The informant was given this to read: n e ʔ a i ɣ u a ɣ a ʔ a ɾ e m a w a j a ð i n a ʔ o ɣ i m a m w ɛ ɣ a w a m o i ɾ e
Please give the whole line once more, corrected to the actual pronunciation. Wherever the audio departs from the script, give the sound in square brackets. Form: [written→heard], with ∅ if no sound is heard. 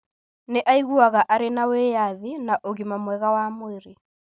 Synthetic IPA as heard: n e ʔ a i ɣ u a ɣ a ʔ a ɾ e [m→n] a w [a→e] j a ð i n a ʔ o ɣ i m a m w ɛ ɣ a w a m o [i→e] ɾ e